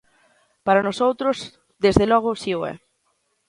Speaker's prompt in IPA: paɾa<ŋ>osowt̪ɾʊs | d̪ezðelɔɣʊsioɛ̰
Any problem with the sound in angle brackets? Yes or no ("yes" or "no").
yes